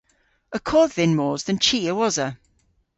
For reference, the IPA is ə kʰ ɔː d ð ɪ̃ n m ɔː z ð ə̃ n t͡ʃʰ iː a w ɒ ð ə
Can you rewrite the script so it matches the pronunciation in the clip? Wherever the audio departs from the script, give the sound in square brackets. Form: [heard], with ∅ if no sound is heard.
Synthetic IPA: ə kʰ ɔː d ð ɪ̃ n m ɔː z ð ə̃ n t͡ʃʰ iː [ə] w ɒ [z] ə